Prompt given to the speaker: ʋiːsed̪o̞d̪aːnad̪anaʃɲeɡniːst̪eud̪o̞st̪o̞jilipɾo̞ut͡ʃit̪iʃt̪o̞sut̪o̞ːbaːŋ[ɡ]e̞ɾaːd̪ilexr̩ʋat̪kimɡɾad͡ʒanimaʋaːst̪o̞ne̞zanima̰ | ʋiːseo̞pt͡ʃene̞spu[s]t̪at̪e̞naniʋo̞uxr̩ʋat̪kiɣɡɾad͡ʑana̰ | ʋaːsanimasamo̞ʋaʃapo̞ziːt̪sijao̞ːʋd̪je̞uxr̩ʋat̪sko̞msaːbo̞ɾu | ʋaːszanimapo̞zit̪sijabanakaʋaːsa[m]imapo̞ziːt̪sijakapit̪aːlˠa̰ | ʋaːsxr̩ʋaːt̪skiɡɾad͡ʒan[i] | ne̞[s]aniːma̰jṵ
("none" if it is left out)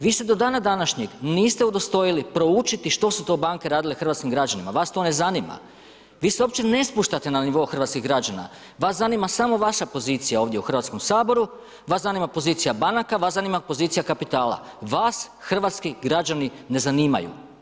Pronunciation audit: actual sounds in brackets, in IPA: k, ʃ, n, i, z

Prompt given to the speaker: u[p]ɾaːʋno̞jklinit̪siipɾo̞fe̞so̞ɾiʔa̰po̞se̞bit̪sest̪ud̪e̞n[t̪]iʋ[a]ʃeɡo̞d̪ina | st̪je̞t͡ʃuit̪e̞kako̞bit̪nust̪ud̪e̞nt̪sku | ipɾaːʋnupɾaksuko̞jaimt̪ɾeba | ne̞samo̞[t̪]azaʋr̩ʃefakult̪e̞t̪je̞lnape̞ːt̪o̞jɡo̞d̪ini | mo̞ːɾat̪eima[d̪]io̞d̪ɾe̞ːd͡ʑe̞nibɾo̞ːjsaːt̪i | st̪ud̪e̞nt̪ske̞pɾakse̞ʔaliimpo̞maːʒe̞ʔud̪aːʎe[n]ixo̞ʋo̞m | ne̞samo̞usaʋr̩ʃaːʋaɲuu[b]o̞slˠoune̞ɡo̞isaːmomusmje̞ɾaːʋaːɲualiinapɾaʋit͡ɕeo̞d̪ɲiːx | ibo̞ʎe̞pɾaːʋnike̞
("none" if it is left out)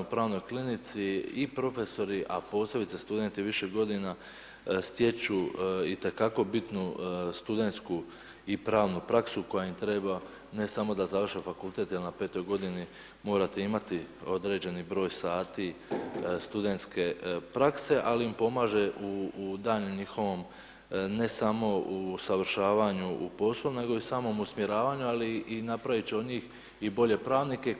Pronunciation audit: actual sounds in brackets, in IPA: p, t̪, i, d̪, t̪, ɲ, p

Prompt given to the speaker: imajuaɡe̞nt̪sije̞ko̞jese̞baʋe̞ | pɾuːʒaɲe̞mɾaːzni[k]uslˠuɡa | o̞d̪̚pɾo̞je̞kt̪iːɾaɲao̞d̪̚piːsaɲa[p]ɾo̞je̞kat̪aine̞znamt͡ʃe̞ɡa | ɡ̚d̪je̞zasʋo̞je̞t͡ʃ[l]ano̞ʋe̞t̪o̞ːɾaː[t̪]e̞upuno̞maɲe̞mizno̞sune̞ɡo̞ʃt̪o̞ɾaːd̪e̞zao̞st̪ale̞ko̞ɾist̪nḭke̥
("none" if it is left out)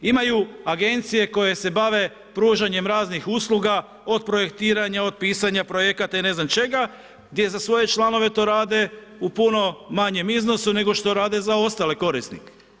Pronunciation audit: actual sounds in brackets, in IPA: x, p, l, d̪

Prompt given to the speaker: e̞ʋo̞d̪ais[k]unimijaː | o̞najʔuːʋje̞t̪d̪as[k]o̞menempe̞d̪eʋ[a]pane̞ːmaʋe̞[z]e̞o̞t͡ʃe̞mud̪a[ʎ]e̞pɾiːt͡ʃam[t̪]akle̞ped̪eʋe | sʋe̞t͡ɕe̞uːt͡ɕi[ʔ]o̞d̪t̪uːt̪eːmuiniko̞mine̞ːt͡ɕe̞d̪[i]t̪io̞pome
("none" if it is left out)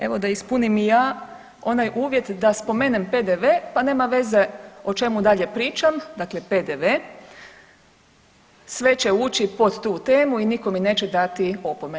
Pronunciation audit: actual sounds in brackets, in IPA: p, p, e, z, ʎ, d̪, p, a

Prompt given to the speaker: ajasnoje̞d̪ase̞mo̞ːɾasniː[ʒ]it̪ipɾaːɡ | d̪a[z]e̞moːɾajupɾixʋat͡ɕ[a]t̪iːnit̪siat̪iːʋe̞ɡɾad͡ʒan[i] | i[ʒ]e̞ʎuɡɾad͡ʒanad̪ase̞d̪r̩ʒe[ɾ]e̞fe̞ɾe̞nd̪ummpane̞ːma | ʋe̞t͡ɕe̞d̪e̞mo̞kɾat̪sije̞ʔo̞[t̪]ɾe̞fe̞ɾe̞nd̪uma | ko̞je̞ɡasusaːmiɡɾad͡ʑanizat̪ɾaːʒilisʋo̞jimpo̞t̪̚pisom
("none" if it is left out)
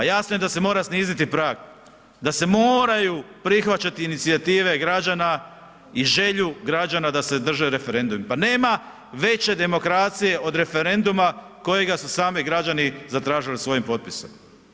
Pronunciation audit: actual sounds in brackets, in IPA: z, s, a, a, ʒ, ɾ, d̪

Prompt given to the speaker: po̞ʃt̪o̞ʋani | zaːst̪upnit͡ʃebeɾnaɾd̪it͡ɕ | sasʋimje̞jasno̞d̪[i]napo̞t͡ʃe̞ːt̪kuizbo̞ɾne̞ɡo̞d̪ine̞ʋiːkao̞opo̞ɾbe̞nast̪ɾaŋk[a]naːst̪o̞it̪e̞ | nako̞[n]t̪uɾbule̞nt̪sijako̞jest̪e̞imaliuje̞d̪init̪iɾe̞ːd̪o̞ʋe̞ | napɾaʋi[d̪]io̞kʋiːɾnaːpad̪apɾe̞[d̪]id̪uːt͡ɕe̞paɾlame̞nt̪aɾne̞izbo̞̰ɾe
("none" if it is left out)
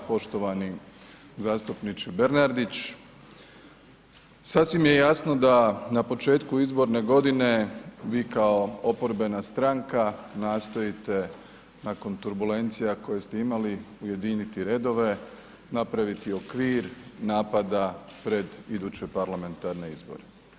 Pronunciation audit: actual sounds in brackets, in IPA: a, a, n, t̪, d̪

